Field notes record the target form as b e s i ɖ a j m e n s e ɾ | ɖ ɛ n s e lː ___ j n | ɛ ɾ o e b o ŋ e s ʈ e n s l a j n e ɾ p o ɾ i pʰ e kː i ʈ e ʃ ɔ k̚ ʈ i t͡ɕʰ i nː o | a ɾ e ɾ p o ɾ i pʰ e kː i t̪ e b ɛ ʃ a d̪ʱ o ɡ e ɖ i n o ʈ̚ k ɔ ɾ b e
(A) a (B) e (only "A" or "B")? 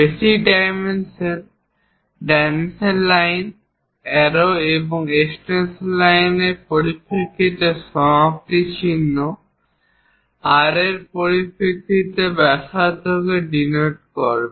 A